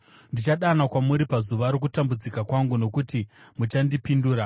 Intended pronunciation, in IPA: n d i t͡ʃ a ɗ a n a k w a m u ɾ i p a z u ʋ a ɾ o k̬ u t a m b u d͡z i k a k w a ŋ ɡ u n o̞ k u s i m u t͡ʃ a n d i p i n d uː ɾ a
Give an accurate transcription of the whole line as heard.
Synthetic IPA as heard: n d i t͡ʃ a ɗ a n a k w a m u ɾ i p a z u ʋ a ɾ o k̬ u t a m b u d͡z i k a k w a ŋ ɡ u n o̞ k u t i m u t͡ʃ a n d i p i n d uː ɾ a